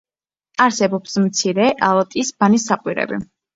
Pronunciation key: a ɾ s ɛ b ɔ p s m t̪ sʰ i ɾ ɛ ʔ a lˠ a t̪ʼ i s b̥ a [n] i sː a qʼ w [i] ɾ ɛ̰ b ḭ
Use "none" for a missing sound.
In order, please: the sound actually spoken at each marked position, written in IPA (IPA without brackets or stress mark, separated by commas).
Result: n, i